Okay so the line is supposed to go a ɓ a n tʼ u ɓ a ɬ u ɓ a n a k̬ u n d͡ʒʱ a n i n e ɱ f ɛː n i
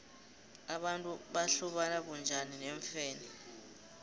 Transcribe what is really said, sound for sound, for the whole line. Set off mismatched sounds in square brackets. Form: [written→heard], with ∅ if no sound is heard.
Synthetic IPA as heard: a ɓ a n tʼ u ɓ a ɬ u ɓ a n a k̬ u n d͡ʒʱ a n i n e ɱ f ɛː n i